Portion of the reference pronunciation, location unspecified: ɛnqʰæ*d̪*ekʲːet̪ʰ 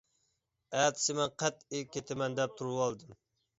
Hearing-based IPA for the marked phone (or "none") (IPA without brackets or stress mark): t̪